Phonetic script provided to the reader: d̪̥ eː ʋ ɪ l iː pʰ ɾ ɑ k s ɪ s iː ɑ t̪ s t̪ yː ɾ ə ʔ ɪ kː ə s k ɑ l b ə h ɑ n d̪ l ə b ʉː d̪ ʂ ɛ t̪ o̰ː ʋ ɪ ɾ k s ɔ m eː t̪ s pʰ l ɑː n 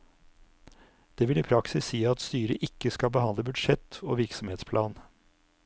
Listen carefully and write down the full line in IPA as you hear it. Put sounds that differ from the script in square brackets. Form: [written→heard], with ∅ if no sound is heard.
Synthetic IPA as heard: d̪̥ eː ʋ ɪ l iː pʰ ɾ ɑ k s ɪ s iː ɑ t̪ s t̪ yː ɾ ə ʔ ɪ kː ə s k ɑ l b ə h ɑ n d̪ l ə b [ʉː→ʉ] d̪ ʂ ɛ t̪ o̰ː ʋ ɪ ɾ k s ɔ m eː t̪ s pʰ l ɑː n